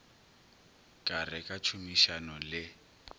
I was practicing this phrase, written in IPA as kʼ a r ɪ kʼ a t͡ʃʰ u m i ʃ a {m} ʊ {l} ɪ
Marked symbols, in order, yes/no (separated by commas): no, yes